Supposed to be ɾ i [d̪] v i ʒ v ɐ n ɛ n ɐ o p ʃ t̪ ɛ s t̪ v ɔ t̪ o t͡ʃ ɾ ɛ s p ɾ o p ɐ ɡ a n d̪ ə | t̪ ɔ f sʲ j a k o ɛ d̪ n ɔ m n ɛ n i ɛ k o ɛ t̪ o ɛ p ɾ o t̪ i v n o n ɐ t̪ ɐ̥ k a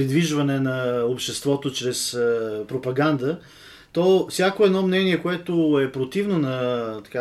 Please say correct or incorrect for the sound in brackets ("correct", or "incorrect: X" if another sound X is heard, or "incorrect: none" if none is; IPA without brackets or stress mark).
correct